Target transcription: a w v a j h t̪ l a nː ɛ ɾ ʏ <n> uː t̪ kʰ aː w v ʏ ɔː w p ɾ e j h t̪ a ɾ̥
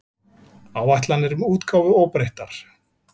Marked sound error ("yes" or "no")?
yes